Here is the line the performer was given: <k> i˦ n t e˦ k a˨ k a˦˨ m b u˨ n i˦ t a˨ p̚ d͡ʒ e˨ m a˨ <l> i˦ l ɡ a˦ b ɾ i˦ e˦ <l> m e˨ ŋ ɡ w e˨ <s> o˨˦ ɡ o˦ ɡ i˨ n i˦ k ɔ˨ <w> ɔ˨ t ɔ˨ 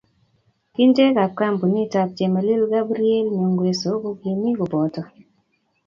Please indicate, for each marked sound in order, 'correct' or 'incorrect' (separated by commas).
correct, correct, correct, correct, incorrect